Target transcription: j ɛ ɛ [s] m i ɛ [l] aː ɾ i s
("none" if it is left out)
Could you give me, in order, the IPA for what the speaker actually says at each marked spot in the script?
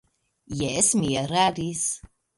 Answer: s, ɾ

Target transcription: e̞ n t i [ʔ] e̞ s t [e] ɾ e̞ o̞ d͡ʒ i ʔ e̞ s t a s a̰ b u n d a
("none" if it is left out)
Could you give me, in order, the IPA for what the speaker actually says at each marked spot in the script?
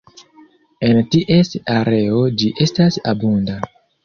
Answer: ʔ, a

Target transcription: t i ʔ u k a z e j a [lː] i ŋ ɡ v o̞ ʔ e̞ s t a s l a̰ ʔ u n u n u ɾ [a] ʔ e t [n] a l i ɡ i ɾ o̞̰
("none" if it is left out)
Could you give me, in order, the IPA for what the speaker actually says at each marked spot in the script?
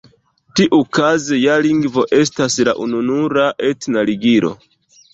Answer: l, a, n

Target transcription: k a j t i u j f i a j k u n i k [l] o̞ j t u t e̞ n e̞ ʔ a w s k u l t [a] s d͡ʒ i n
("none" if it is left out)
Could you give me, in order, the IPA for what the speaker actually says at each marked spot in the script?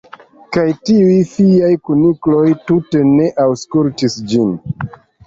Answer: l, i

